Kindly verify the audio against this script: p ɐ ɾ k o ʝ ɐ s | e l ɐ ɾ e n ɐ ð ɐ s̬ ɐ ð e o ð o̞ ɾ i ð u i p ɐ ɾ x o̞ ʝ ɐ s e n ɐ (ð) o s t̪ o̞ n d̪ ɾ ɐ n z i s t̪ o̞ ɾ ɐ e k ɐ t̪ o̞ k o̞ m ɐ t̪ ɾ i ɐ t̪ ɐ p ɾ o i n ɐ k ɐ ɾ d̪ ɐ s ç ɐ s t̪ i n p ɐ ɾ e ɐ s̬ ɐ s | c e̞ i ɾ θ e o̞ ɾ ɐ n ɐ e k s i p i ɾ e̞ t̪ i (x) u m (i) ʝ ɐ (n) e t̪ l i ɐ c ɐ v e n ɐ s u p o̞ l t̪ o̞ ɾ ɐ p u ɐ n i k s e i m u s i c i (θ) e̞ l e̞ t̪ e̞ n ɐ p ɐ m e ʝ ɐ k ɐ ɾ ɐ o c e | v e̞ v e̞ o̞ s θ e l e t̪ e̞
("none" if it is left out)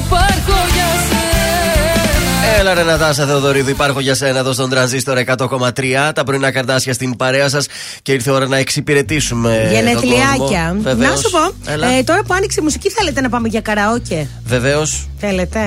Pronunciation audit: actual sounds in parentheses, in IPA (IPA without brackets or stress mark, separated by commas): ð, s, e, n, θ